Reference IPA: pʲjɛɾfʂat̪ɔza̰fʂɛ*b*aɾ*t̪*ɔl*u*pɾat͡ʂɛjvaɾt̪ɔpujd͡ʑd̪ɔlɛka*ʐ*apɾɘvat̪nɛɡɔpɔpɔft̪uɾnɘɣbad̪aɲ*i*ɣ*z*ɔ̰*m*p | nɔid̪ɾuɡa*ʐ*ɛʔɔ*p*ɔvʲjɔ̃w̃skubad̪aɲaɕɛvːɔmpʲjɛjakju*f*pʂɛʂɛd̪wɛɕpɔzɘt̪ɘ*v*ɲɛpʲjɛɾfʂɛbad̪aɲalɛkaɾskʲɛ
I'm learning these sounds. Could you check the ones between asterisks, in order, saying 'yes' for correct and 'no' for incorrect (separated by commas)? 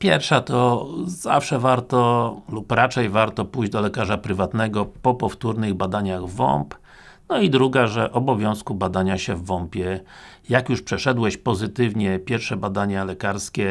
no, yes, yes, yes, no, no, yes, yes, no, no, yes